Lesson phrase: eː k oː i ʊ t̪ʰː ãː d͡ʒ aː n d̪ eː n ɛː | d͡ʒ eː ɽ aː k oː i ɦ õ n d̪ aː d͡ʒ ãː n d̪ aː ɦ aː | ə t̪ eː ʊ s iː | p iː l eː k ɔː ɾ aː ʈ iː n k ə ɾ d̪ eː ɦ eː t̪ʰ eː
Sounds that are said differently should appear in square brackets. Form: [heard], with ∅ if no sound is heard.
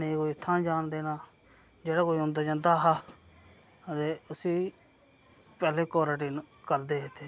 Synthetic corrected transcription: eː k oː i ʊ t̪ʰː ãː d͡ʒ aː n d̪ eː n [aː] | d͡ʒ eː ɽ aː k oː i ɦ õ n d̪ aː d͡ʒ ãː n d̪ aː ɦ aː | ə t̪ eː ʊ s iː | p [ɛː] l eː k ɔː ɾ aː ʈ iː n k ə ɾ d̪ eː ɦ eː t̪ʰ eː